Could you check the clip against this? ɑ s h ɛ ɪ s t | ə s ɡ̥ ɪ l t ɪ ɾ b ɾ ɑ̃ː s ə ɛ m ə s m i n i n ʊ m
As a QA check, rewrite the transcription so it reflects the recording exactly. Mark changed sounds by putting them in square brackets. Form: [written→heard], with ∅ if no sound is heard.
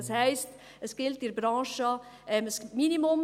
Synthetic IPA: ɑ s h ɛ ɪ s t | ə s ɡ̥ ɪ l t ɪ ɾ b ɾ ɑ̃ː [s→ʃ] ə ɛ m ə s m i n i [n→m] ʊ m